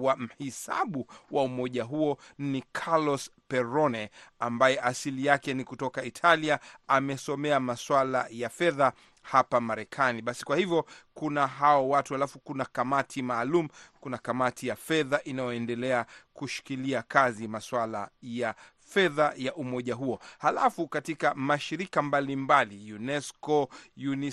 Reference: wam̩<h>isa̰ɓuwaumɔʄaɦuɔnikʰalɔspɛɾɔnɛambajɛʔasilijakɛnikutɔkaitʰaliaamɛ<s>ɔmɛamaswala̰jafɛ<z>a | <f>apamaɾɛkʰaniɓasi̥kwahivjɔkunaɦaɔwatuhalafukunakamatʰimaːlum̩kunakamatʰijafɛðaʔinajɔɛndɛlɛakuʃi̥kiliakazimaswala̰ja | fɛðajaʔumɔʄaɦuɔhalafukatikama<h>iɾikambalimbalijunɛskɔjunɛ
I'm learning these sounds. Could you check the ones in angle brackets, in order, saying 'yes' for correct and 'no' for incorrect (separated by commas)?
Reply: yes, yes, no, no, no